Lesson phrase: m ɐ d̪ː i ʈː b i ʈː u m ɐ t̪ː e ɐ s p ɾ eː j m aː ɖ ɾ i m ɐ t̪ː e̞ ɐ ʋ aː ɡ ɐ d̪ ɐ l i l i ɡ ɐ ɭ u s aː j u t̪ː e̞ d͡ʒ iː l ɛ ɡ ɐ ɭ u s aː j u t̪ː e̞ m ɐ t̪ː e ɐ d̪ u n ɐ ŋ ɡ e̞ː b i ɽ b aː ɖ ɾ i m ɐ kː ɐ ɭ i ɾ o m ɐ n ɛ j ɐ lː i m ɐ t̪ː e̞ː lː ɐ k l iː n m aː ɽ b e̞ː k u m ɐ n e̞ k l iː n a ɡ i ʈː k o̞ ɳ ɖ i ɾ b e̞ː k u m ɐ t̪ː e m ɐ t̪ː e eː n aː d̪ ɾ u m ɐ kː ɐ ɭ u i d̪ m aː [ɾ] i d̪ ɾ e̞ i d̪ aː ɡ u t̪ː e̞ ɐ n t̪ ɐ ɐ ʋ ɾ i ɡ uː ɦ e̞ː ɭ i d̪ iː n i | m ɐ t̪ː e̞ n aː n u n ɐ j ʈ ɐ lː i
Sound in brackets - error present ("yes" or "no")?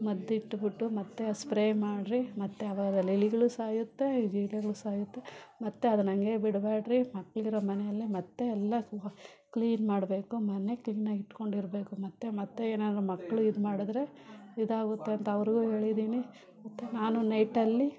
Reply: yes